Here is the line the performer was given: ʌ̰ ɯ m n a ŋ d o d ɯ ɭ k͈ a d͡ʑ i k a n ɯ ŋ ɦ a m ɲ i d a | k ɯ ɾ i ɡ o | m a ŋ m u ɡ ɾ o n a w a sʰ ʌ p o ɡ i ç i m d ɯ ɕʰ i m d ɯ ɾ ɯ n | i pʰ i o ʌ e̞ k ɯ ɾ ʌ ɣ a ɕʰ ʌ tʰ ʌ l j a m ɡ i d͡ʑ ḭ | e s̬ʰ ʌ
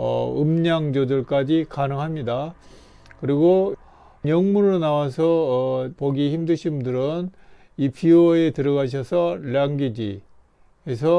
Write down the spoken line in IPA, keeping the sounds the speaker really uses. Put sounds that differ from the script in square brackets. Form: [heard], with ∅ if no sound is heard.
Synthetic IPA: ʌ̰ ɯ m [ɲ] a ŋ [d͡ʑ] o d ɯ ɭ k͈ a d͡ʑ i k a n ɯ ŋ ɦ a m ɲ i d a | k ɯ ɾ i ɡ o | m [ʌ] ŋ m u [∅] ɾ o n a w a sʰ ʌ p o ɡ i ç i m d ɯ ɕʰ i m d ɯ ɾ ɯ n | i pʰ i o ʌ e̞ [t] ɯ ɾ ʌ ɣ a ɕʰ ʌ [sʰ] ʌ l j a [ŋ] ɡ i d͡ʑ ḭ | e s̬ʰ ʌ